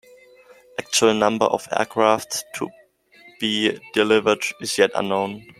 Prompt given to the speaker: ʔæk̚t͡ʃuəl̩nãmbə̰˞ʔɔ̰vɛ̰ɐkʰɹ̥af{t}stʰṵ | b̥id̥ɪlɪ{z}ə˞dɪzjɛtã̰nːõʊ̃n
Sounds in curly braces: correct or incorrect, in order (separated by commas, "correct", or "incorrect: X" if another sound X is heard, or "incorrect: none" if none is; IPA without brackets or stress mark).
correct, incorrect: v